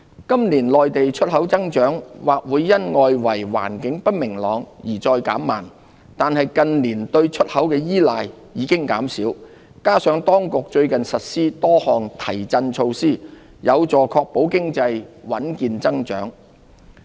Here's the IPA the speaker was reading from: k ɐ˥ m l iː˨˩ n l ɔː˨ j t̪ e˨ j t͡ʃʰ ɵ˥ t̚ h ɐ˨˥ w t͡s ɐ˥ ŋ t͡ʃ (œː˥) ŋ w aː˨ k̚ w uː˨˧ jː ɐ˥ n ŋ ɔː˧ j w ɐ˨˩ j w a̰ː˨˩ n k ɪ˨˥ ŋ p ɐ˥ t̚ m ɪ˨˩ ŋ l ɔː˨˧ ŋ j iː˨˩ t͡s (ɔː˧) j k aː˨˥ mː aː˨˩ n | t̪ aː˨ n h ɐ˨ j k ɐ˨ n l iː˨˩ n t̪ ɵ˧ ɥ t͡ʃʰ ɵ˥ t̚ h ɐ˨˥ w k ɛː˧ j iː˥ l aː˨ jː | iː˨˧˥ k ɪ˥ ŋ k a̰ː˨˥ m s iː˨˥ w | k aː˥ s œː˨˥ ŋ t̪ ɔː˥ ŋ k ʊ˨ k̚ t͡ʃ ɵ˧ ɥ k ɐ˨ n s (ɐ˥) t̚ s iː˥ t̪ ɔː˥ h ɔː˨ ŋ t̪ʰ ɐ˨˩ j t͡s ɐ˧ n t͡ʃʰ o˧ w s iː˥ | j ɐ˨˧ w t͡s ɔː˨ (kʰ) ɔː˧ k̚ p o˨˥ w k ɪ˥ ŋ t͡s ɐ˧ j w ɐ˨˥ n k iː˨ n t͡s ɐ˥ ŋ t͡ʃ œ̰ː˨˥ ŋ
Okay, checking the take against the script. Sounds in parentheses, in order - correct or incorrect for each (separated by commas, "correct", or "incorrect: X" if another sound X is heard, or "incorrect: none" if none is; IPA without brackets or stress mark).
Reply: incorrect: œː˨˥, correct, incorrect: ɐ˨, correct